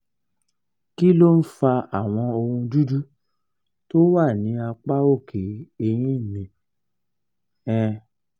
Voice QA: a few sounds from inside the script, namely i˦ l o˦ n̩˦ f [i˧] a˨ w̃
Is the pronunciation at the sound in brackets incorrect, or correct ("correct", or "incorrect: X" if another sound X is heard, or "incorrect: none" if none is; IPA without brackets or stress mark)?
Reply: incorrect: a˧